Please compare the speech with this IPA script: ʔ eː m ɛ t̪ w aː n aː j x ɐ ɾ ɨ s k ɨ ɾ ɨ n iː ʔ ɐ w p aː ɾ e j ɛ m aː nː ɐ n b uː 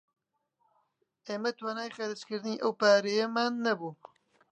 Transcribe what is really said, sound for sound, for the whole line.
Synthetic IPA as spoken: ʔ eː m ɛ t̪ w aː n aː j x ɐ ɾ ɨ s k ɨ ɾ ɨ n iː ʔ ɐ w p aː ɾ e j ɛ m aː nː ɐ b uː